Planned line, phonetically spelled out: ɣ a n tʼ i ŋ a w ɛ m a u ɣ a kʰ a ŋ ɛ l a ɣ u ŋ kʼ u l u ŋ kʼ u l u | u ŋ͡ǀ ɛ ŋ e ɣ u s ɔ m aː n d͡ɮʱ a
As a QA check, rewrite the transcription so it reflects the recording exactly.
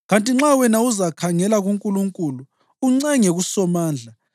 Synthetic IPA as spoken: ɣ a n tʼ i ŋ͡ǁ a w ɛ n a u z a kʰ a ŋ ɛ l a ɣ u ŋ kʼ u l u ŋ kʼ u l u | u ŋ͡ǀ ɛ ŋ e ɣ u s ɔ m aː n d͡ɮʱ a